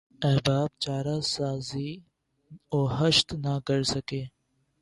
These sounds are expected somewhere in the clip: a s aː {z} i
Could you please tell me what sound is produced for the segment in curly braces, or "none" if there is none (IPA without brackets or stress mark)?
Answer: z